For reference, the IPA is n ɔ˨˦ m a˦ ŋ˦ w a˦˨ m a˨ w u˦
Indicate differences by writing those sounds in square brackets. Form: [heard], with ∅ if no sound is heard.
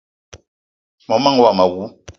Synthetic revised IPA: [m] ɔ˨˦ m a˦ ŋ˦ w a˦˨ m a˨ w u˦